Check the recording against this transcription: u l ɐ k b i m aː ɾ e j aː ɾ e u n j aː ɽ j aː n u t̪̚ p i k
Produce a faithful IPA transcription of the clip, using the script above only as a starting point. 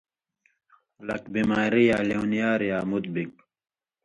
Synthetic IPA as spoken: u l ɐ k b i m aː ɾ i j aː l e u n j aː ɾ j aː m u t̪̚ b i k